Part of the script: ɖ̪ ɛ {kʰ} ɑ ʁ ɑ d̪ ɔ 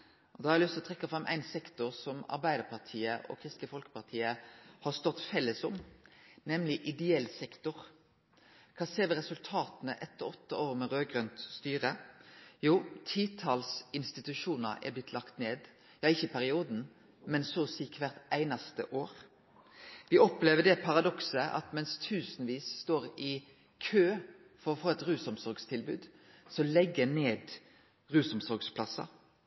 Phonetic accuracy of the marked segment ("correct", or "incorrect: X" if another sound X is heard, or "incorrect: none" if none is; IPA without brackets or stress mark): incorrect: pʰ